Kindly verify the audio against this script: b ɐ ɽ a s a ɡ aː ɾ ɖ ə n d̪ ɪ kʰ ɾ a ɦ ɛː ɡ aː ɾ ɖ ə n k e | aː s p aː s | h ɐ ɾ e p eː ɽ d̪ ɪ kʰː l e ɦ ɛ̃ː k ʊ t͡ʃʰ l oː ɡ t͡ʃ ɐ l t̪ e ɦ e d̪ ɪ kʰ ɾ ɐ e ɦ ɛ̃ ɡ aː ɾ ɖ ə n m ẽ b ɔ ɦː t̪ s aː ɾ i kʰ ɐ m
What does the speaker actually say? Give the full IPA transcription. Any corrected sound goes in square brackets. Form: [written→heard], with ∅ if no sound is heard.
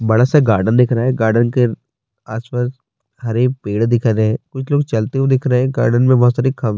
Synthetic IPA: b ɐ ɽ a s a ɡ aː ɾ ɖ ə n d̪ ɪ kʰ ɾ a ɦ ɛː ɡ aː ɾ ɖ ə n k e | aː s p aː s | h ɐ ɾ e p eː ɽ d̪ ɪ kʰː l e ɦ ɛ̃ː k ʊ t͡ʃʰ l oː ɡ t͡ʃ ɐ l t̪ e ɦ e d̪ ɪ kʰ ɾ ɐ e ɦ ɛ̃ ɡ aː ɾ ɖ ə n m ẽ b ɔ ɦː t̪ s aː ɾ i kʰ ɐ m